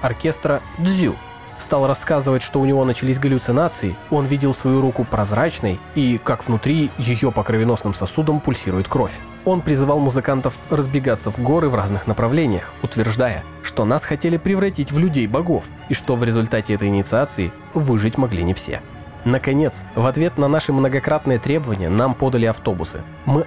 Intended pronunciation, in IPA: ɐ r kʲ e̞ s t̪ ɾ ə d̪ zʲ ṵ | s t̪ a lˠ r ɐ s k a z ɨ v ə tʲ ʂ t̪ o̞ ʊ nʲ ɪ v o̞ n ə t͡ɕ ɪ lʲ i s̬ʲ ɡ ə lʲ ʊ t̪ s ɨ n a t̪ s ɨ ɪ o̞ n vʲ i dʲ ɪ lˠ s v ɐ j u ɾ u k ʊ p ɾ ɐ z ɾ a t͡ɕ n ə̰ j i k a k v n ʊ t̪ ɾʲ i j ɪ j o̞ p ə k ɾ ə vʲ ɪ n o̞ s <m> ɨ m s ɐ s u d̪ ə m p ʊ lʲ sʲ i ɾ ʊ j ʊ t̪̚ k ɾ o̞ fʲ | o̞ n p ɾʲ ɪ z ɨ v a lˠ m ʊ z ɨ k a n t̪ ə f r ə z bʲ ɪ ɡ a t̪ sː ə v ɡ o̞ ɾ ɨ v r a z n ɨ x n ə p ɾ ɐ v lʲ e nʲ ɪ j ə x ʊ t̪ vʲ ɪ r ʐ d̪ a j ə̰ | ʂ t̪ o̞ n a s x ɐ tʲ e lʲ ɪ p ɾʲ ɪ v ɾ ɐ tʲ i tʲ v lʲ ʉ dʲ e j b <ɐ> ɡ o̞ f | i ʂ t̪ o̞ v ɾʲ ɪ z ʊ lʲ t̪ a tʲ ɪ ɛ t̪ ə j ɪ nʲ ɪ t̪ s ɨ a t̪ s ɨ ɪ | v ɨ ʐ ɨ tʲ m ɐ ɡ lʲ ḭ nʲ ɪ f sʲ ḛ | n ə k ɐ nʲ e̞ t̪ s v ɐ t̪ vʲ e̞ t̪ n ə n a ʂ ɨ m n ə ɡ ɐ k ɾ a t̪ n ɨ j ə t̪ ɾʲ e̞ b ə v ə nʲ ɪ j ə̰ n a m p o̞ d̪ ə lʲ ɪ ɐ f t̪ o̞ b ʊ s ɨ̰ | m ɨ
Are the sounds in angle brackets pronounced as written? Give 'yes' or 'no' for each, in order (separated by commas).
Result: no, yes